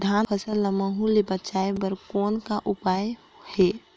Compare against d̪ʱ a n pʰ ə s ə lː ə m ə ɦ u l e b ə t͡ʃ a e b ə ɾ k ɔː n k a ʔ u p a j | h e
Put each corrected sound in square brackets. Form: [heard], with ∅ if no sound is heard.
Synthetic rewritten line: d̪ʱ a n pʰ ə s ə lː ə m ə ɦ u l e b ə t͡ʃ a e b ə ɾ k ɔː n k a ʔ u p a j | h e